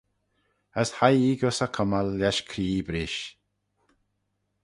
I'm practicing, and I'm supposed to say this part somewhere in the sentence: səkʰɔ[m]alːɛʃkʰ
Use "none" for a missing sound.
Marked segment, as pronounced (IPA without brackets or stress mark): m